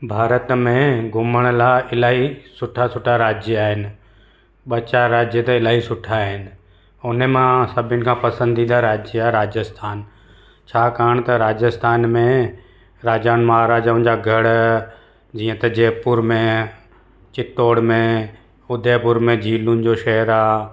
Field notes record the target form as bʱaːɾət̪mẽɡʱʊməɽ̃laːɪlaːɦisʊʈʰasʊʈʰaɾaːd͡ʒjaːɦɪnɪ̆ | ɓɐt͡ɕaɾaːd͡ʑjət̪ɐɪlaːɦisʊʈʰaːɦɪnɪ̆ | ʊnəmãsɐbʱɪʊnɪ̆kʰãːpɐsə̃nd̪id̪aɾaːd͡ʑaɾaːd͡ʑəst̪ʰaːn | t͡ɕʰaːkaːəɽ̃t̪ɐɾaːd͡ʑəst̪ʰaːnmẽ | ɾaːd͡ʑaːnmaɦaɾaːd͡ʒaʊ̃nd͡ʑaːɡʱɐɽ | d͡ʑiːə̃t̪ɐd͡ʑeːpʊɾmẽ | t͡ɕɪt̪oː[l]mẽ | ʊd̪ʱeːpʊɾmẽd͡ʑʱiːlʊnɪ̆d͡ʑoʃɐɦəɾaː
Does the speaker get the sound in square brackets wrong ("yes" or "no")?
yes